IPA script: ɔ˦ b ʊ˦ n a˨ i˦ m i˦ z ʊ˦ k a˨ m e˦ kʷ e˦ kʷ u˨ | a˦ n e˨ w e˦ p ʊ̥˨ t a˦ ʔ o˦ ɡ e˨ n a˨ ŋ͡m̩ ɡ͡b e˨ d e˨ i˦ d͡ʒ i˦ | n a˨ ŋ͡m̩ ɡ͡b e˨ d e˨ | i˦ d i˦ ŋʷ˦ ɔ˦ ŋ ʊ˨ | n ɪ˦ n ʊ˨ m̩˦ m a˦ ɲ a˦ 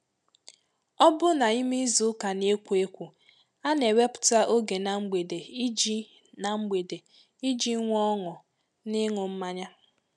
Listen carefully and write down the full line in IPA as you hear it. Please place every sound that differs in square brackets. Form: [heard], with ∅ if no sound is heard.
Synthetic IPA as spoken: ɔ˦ b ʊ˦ n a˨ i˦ m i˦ z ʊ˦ k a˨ [n] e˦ kʷ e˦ kʷ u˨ | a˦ n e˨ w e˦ p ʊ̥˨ t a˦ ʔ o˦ ɡ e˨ n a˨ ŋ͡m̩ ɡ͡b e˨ d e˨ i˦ d͡ʒ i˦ | n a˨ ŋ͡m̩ ɡ͡b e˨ d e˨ | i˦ [d͡ʒ] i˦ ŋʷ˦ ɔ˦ ŋ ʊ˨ | n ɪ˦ [ŋ] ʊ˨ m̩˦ m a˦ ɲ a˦